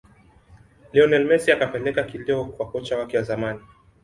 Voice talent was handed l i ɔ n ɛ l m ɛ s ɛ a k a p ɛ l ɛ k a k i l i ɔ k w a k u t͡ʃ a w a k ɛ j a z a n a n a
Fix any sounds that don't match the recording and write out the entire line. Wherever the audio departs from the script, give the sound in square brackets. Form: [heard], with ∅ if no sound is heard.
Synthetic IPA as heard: l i ɔ n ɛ l m ɛ s [i] a k a p ɛ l ɛ k a k i l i ɔ k w a k [ɔ] t͡ʃ a w a k ɛ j a z a [m] a n [i]